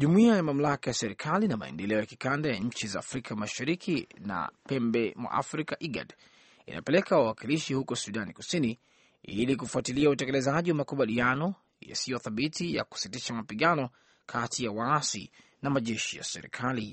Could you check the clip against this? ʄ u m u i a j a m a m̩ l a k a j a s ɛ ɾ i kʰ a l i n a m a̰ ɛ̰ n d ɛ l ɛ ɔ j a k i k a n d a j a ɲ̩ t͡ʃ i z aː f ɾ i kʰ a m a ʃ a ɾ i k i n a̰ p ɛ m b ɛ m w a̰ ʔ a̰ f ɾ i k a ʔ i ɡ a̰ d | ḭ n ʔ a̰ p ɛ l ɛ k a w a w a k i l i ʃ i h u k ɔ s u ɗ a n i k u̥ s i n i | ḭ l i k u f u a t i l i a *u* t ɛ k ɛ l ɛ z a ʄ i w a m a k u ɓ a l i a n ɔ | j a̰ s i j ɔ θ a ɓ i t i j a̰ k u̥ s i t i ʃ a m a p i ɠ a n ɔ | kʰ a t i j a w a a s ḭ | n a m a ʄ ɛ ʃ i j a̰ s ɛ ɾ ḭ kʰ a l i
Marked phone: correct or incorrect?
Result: correct